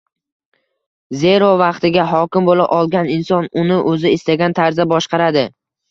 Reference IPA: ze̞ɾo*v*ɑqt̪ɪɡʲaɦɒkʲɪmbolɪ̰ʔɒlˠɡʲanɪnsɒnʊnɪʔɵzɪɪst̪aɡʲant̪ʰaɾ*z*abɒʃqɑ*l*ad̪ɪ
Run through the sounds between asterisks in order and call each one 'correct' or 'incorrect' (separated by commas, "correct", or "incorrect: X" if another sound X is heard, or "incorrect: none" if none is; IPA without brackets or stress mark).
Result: correct, correct, incorrect: ɾ